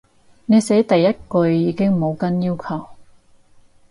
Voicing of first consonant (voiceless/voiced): voiced